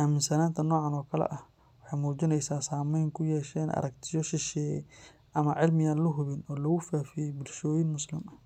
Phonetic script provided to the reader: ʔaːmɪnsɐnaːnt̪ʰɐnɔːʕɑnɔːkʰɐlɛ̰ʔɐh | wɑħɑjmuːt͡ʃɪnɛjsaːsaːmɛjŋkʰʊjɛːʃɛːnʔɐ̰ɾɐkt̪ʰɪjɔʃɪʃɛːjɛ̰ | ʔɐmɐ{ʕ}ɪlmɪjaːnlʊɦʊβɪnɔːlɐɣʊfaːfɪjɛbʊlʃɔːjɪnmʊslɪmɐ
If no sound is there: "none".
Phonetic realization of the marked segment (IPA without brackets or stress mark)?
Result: ʕ